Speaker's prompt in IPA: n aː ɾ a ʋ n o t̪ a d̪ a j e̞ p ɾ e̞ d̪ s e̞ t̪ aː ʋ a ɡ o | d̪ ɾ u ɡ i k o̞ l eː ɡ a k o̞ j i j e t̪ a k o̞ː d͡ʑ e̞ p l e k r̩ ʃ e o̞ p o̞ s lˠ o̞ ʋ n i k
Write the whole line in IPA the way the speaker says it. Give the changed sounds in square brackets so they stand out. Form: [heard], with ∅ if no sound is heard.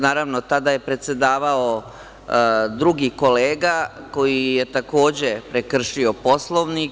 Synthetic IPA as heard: n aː ɾ a ʋ n o t̪ a d̪ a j e̞ p ɾ e̞ [t̪] s e̞ [d̪] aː ʋ a [∅] o | d̪ ɾ u ɡ i k o̞ l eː ɡ a k o̞ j i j e t̪ a k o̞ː d͡ʑ e̞ p [ɾ] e k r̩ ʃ [i] o̞ p o̞ s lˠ o̞ ʋ n i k